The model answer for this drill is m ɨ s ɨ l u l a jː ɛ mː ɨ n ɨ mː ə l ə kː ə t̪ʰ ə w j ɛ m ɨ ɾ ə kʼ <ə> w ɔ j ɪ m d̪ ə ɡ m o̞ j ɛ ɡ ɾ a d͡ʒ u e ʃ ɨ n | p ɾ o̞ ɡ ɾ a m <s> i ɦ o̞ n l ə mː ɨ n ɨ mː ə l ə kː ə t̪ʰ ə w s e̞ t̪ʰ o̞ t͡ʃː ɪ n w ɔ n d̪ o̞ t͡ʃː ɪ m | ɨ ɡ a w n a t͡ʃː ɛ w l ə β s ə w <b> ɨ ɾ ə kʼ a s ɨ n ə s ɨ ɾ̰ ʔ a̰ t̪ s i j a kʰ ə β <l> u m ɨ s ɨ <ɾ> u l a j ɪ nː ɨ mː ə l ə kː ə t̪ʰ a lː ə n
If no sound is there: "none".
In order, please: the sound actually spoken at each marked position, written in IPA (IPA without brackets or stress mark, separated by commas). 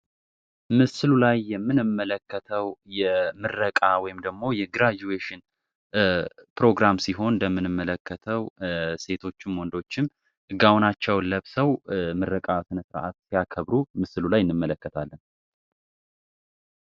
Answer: a, s, m, ɾ, l